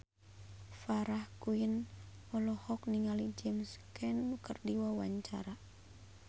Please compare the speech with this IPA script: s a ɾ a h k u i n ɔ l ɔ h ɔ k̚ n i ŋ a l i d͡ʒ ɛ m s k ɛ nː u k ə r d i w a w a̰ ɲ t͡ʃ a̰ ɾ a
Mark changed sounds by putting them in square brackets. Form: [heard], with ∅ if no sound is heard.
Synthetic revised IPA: [f] a ɾ a h k u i n ɔ l ɔ h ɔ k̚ n i ŋ a l i d͡ʒ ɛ m s k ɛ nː u k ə r d i w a w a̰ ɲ t͡ʃ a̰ ɾ a